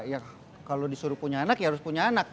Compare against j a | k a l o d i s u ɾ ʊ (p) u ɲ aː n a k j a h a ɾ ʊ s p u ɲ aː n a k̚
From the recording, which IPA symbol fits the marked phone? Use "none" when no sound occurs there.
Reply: p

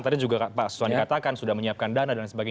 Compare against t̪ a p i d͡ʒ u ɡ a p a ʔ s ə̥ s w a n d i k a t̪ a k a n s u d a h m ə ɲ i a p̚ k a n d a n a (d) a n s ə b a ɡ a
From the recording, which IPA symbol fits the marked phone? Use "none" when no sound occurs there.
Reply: d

